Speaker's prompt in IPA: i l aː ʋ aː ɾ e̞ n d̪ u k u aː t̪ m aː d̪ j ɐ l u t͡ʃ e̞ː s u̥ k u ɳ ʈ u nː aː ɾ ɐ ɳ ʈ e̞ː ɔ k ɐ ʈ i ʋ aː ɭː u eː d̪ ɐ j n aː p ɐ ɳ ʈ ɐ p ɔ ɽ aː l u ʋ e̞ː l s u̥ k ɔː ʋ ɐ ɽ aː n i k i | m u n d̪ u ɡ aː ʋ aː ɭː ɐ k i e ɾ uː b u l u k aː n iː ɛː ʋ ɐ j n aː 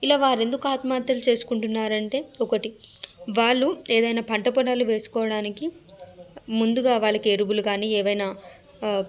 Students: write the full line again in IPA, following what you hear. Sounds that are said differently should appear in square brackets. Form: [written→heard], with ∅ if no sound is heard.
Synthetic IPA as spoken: i l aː ʋ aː ɾ e̞ n d̪ u k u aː t̪ m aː [d̪→t̪] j ɐ l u t͡ʃ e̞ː s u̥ k u ɳ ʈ u nː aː ɾ ɐ ɳ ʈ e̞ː ɔ k ɐ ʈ i ʋ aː ɭː u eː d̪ ɐ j n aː p ɐ ɳ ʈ ɐ p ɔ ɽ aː l u ʋ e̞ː [l→∅] s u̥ k ɔː ʋ ɐ ɽ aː n i k i | m u n d̪ u ɡ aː ʋ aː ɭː ɐ k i e ɾ [uː→u] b u l u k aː n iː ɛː ʋ ɐ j n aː